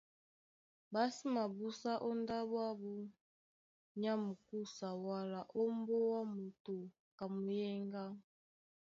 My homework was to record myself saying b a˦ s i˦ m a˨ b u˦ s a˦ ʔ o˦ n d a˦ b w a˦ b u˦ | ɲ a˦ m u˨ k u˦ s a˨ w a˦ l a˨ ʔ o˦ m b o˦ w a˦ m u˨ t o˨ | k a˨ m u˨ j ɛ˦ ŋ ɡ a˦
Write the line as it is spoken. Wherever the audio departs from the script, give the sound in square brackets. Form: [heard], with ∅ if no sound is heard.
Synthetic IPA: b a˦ s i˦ m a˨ b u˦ s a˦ ʔ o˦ n d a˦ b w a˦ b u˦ | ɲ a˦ m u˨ k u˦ s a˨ w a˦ l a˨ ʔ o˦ m b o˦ w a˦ m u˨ t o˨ | k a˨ m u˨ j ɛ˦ ŋ ɡ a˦